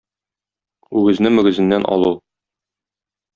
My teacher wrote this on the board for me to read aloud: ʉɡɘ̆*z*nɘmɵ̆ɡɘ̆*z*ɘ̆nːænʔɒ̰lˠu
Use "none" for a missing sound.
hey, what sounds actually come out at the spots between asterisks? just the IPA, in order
z, z

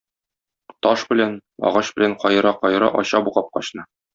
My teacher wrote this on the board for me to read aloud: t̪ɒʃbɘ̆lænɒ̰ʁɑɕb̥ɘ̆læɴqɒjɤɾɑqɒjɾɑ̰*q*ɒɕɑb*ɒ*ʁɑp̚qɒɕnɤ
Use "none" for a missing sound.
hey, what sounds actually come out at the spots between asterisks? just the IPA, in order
ʔ, u

